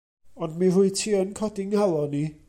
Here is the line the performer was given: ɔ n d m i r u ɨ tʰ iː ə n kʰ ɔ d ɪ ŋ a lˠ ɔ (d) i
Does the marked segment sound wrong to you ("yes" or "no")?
yes